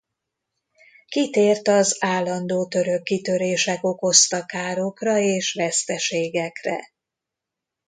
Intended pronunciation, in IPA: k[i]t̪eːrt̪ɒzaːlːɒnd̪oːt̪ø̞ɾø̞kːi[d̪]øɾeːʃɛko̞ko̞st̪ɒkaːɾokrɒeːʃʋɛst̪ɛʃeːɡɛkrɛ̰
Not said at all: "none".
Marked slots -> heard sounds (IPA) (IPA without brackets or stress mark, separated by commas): i, t̪